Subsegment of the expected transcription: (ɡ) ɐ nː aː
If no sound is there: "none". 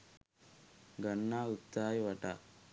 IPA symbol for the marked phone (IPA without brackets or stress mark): ɡ